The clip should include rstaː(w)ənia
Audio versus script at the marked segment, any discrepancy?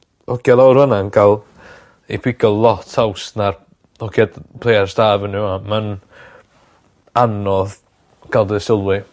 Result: yes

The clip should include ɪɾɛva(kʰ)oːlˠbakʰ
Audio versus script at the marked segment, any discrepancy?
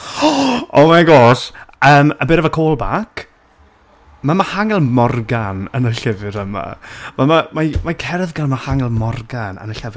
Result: no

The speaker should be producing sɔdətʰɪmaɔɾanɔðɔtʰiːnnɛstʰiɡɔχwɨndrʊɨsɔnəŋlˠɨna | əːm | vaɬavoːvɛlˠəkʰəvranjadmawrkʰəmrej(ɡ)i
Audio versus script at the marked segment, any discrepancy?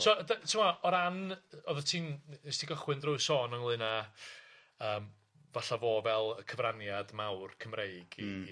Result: no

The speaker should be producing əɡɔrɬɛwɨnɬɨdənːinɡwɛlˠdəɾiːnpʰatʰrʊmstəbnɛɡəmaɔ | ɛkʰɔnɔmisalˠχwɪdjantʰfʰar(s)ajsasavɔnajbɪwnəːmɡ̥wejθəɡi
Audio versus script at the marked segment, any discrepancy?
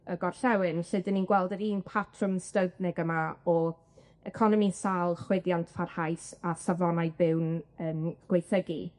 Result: yes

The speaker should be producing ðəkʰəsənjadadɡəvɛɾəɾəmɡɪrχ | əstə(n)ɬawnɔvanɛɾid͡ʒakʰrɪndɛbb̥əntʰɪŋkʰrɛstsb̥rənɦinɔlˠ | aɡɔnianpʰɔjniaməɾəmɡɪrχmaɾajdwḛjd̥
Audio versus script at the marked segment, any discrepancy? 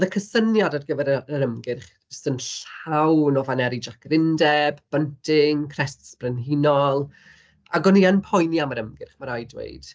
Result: no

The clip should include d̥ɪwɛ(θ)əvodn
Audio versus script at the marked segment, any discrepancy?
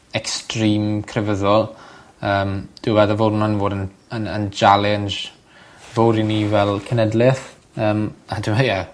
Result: yes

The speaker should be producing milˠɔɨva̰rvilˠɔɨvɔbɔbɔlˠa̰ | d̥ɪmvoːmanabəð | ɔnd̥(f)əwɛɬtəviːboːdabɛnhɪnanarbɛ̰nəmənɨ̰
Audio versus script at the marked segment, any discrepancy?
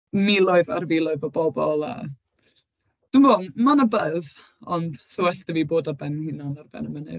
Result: yes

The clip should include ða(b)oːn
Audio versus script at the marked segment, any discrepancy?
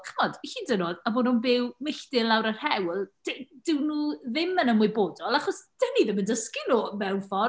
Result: no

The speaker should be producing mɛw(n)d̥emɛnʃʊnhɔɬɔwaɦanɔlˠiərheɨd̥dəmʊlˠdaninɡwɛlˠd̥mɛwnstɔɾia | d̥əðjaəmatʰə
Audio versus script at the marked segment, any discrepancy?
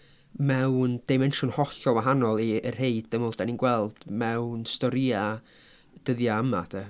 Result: no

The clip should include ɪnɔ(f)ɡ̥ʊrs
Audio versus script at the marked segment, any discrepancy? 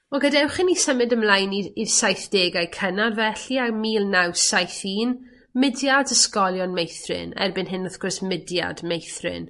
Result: yes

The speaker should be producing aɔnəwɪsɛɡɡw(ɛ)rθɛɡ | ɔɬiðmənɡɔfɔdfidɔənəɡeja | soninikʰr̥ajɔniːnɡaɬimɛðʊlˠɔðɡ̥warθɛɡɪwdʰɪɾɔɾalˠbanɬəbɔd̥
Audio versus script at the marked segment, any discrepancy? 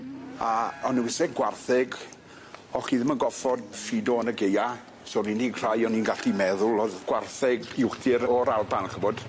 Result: yes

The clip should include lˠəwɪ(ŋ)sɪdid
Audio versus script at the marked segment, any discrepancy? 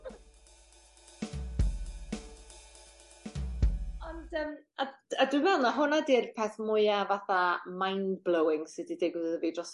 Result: no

